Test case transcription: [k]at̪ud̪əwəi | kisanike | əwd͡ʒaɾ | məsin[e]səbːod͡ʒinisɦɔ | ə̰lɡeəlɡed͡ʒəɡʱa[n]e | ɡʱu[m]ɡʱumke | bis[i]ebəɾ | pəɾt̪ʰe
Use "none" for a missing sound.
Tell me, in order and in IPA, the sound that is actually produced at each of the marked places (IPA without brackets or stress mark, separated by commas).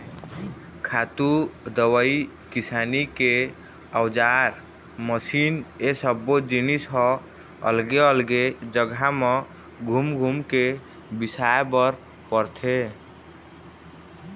kʰ, e, m, m, a